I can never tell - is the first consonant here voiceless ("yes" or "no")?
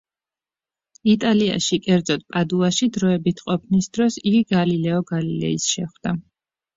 yes